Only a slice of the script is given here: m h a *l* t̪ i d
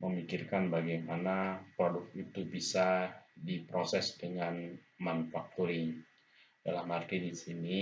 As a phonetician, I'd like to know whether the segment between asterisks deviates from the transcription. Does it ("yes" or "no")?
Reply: yes